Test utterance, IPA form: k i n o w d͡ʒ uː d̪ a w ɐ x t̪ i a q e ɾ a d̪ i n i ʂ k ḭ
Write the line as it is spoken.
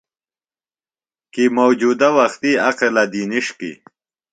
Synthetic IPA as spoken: k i m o w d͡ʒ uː d̪ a w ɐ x t̪ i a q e l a d̪ i n i ʂ k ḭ